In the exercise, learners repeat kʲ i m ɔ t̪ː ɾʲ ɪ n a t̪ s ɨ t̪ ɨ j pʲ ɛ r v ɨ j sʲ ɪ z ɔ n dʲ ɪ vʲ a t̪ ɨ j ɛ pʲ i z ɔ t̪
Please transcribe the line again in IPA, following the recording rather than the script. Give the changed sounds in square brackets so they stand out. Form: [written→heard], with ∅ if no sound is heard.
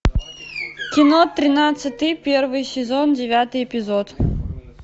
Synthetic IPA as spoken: kʲ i [m→n] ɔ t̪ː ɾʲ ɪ n a t̪ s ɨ t̪ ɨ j pʲ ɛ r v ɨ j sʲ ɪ z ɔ n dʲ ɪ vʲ a t̪ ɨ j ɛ pʲ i z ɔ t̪

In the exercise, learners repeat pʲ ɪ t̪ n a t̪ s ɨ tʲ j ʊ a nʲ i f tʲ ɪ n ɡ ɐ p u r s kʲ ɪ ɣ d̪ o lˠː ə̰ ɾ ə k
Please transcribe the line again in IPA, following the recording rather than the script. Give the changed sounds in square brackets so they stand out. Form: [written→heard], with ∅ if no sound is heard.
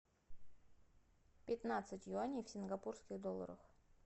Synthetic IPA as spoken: pʲ ɪ t̪ n a t̪ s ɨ tʲ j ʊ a nʲ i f [tʲ→sʲ] ɪ n ɡ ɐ p u r s kʲ ɪ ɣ d̪ o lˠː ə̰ ɾ ə [k→x]

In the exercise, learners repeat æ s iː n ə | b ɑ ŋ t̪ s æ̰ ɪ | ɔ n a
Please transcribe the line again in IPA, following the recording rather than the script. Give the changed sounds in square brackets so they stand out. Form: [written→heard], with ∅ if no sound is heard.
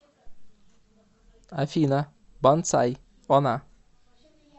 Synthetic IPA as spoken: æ [s→f] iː n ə | b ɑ [ŋ→n] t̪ s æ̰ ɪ | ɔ n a

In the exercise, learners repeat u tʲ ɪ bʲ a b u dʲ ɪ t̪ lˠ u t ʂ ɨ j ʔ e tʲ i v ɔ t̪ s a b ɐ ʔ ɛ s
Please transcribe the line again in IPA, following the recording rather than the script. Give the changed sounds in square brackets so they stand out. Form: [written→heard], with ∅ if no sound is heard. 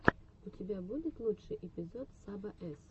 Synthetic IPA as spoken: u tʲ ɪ bʲ a b u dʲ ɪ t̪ lˠ u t ʂ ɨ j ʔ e [tʲ→pʲ] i [v→z] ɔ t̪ s a b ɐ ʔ ɛ s

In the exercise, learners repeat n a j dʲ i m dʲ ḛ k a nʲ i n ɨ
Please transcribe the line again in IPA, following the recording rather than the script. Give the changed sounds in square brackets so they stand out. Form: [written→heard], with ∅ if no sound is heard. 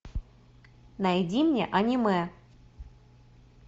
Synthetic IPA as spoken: n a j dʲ i m [dʲ→nʲ] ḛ [k→ʔ] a nʲ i [n→m] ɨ

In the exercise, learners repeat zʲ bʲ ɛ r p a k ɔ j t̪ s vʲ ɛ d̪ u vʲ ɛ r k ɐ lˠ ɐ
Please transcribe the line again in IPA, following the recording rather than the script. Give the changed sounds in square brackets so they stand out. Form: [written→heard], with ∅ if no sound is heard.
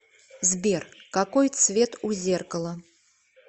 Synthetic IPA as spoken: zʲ bʲ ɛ r [p→k] a k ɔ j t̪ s vʲ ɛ [d̪→t̪] u [vʲ→zʲ] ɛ r k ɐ lˠ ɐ

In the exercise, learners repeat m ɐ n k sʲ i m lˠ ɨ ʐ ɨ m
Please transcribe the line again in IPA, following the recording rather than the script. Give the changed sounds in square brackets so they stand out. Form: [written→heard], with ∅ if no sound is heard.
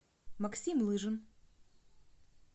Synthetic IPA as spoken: m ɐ [n→∅] k sʲ i m lˠ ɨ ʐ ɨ [m→n]

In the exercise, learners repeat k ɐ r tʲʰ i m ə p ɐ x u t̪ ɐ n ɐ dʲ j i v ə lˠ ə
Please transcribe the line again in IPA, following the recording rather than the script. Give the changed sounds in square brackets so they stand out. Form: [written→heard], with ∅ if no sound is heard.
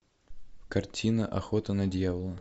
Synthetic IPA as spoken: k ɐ r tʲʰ i [m→n] ə [p→ʔ] ɐ x [u→o] t̪ [ɐ→ə] n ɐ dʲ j [i→a] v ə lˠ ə

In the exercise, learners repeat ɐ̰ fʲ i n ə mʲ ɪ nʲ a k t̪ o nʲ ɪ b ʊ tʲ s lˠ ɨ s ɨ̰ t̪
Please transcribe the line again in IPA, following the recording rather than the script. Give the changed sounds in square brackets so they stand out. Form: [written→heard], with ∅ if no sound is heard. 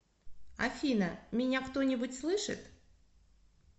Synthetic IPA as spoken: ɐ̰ fʲ i n ə mʲ ɪ nʲ a k t̪ o nʲ ɪ b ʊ tʲ s lˠ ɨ [s→ʂ] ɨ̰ t̪

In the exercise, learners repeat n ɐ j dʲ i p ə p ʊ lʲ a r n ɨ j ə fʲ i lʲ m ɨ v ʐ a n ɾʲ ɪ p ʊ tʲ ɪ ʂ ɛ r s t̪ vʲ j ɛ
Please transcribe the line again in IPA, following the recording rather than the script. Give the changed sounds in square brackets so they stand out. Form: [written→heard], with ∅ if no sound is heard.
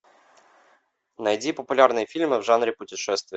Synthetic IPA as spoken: n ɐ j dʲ i p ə p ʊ lʲ a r n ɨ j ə fʲ i lʲ m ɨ v ʐ a n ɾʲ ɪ p ʊ tʲ ɪ ʂ ɛ [r→∅] s t̪ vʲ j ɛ

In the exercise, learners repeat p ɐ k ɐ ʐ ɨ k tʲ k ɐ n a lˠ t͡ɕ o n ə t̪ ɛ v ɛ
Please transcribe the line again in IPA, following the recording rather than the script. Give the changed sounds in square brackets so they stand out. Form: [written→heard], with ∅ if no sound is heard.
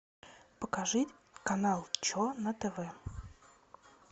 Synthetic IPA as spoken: p [ɐ→ə] k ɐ ʐ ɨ [k→∅] tʲ k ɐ n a lˠ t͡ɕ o n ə t̪ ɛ v ɛ

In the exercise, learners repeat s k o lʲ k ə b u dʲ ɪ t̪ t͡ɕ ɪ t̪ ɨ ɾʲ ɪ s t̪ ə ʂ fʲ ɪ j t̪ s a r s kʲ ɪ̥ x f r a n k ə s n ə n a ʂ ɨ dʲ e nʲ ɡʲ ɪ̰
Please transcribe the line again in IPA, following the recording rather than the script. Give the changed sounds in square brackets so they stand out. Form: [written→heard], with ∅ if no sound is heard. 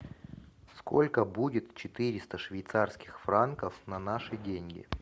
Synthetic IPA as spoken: s k o lʲ k ə b u dʲ ɪ t̪ t͡ɕ ɪ t̪ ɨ ɾʲ ɪ s t̪ ə ʂ [fʲ→vʲ] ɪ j t̪ s a r s kʲ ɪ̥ x f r a n k ə [s→f] n [ə→ɐ] n a ʂ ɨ dʲ e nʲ ɡʲ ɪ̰

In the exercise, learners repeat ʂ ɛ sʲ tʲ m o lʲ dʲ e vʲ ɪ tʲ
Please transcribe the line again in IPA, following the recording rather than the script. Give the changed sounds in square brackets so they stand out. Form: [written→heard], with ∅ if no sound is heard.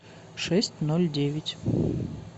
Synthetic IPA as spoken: ʂ ɛ sʲ tʲ [m→n] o lʲ dʲ e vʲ ɪ tʲ

